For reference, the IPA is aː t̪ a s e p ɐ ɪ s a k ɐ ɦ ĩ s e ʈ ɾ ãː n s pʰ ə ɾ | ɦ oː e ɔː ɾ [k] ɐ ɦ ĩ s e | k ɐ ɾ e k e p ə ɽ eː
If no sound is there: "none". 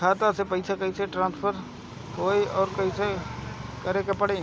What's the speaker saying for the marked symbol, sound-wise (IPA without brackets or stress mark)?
k